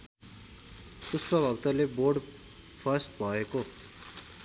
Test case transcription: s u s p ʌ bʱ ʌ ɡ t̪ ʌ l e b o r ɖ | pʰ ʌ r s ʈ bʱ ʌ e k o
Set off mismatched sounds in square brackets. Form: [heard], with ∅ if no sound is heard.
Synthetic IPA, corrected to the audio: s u s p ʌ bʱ ʌ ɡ t̪ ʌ l e b o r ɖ | pʰ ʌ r s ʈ bʱ ʌ e k o